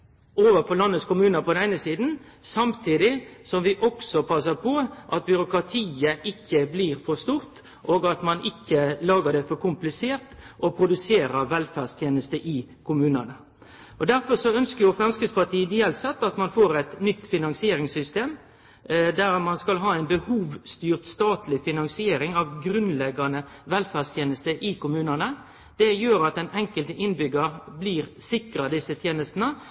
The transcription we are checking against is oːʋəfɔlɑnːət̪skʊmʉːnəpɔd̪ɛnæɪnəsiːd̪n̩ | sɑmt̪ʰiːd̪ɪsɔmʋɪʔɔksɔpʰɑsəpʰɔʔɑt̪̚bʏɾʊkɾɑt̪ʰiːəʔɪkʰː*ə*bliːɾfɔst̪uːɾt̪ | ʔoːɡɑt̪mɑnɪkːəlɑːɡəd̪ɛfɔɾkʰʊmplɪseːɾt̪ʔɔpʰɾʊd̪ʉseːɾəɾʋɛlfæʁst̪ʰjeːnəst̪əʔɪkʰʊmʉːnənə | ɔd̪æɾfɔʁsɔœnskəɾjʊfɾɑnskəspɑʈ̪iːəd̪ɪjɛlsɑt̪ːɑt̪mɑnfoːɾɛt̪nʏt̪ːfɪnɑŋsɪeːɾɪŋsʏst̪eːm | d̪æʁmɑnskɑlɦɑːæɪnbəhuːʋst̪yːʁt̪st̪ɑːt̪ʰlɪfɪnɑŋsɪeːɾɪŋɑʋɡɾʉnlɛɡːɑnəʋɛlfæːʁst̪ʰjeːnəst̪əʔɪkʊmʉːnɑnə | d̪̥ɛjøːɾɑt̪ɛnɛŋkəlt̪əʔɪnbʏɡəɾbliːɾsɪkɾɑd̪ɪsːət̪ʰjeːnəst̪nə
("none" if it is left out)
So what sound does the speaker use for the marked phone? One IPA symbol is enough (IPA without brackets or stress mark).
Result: ə